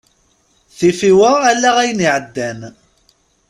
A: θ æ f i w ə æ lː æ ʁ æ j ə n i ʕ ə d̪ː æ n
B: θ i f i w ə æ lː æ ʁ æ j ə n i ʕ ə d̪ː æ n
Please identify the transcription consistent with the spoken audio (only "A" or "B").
B